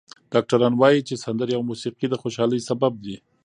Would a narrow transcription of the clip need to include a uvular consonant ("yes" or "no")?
yes